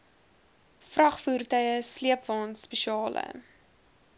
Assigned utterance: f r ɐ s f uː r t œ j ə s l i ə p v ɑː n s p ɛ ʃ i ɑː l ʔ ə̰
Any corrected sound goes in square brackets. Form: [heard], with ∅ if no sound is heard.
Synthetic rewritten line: f r ɐ [χ] f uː r t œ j ə s l i ə p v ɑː n s p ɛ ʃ i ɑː l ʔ ə̰